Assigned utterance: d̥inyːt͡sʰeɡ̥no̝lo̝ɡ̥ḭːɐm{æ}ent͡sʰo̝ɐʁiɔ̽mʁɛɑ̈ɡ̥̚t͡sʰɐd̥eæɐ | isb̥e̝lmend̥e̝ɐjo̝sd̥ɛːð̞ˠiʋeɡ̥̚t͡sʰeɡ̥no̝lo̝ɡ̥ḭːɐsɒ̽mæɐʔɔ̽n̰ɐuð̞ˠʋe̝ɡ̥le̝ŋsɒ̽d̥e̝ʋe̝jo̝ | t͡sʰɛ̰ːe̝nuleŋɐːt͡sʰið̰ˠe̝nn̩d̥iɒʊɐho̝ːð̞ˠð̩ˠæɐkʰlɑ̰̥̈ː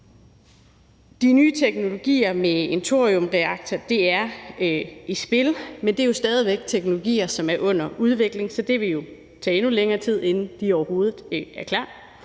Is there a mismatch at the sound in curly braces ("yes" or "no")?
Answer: yes